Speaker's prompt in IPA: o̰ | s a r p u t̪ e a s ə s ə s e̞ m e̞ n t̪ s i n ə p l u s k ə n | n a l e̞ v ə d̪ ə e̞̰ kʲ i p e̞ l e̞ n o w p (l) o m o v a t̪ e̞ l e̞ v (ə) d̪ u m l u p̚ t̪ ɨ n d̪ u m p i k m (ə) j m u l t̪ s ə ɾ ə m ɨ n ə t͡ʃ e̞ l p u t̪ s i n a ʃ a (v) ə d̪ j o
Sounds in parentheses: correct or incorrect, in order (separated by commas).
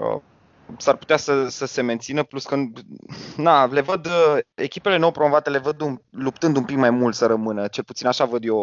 incorrect, correct, incorrect, correct